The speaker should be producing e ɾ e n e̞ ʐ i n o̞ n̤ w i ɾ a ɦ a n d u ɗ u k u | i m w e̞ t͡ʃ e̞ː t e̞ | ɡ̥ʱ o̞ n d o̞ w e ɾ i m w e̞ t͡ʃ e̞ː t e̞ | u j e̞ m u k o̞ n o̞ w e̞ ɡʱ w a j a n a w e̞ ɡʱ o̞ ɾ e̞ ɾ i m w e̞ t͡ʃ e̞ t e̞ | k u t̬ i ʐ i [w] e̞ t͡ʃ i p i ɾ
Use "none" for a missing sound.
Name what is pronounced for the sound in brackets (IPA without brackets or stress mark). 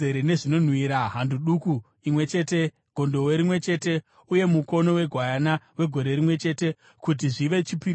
ʋ